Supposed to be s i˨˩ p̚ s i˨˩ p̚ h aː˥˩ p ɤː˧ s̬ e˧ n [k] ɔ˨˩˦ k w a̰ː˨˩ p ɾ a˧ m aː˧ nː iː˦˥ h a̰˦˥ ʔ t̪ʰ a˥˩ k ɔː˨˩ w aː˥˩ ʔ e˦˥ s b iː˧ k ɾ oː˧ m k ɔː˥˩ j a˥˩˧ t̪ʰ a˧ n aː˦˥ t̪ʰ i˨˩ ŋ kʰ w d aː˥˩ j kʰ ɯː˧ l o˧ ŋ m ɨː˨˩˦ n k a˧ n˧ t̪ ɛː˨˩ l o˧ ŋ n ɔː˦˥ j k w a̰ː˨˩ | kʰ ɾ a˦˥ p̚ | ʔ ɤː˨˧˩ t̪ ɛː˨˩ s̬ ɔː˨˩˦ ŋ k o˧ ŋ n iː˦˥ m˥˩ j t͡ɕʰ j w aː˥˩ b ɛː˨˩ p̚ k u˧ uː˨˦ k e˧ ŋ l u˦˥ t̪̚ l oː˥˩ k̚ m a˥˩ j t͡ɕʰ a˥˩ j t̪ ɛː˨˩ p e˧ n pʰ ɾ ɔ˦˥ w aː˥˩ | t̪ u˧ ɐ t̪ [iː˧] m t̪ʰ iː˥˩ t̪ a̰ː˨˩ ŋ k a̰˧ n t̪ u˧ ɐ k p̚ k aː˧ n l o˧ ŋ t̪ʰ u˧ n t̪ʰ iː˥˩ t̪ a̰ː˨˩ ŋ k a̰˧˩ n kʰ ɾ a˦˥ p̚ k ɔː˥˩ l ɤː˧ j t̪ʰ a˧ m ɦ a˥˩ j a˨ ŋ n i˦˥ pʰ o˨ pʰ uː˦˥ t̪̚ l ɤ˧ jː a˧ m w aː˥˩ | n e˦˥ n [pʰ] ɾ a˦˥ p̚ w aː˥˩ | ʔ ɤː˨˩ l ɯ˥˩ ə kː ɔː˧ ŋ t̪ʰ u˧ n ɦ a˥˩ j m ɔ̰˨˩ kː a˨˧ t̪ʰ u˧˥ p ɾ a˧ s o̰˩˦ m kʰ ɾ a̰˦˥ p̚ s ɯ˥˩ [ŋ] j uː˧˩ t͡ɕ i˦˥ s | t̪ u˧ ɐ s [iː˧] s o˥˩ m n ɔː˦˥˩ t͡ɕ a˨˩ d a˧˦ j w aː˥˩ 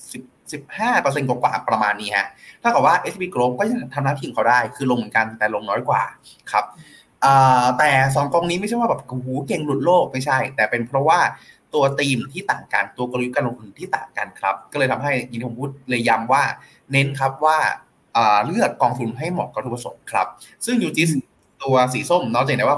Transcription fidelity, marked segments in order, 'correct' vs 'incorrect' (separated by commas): correct, correct, incorrect, correct, incorrect